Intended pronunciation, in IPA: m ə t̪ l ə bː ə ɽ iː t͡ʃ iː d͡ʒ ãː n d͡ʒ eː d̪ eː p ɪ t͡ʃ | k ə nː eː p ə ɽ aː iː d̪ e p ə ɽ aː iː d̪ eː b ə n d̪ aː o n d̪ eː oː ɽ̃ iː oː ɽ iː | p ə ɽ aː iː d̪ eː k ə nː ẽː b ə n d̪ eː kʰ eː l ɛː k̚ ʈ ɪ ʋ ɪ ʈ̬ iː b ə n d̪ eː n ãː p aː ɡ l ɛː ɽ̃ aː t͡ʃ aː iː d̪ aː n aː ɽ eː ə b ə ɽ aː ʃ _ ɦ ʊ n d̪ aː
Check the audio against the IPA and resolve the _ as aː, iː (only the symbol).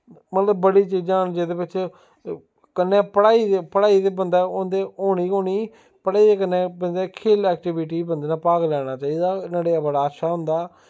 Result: aː